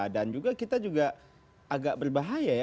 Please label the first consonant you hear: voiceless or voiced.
voiced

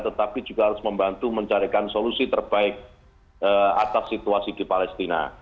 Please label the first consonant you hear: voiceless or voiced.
voiceless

